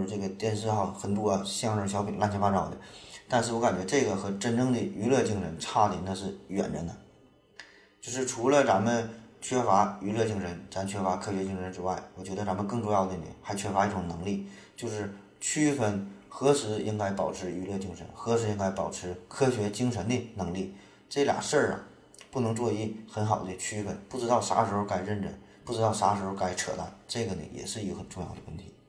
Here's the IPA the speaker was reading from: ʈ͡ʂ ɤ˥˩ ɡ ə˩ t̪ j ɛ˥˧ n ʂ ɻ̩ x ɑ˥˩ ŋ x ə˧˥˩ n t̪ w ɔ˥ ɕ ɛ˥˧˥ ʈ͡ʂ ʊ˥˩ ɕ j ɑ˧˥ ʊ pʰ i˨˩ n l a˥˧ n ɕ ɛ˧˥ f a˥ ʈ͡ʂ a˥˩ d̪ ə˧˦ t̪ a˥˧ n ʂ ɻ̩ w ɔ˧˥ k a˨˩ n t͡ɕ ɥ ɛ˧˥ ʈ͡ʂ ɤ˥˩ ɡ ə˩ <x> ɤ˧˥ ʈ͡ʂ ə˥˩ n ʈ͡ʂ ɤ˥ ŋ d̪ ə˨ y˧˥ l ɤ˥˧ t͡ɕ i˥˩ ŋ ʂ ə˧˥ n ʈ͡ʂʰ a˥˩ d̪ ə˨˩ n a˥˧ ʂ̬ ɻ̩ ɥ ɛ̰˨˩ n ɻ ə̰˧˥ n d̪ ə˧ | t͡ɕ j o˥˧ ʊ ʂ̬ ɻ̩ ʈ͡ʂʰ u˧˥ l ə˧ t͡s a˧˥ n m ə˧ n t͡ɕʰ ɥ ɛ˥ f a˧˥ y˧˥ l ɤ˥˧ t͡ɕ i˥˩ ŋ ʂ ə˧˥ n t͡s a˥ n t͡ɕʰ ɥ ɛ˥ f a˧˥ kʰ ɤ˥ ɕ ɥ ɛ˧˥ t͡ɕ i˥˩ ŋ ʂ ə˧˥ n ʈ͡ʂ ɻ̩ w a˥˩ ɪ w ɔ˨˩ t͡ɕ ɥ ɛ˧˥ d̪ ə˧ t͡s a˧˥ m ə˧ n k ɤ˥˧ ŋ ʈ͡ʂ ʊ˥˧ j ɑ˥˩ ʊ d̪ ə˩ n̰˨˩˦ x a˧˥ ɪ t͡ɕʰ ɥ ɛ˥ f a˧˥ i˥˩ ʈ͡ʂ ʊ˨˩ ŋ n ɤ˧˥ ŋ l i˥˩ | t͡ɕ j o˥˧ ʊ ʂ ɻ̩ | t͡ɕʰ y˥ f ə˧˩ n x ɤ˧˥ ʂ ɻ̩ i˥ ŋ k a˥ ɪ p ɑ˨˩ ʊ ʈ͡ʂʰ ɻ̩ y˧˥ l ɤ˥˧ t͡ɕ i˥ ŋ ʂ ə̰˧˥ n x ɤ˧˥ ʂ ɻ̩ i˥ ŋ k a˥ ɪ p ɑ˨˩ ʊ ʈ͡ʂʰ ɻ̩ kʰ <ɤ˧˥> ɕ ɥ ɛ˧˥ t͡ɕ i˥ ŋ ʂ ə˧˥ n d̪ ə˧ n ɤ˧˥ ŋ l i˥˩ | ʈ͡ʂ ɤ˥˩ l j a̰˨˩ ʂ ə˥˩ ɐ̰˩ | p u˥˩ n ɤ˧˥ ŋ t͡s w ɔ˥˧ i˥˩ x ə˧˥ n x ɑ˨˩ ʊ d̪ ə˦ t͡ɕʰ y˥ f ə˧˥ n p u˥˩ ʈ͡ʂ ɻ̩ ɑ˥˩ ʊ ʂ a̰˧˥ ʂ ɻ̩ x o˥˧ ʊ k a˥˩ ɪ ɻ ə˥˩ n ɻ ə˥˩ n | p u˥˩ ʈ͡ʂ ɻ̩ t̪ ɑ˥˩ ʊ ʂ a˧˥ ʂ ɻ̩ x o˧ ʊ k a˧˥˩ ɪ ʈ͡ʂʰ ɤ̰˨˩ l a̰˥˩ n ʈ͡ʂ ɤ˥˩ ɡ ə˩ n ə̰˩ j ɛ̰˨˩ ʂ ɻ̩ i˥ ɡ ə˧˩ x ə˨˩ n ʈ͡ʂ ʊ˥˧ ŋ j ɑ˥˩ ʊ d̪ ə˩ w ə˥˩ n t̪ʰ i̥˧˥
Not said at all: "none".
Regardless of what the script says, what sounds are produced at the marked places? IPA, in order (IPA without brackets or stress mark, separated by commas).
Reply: x, ɤ˥